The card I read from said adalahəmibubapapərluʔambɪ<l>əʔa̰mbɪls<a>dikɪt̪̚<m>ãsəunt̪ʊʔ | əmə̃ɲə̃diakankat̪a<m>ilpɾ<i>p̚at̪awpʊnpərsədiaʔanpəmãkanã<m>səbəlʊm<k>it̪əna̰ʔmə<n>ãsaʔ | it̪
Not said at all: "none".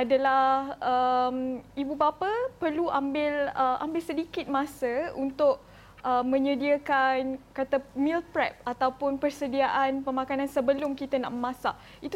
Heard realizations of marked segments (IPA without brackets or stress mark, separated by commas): l, ə, m, m, ɛ, n, k, m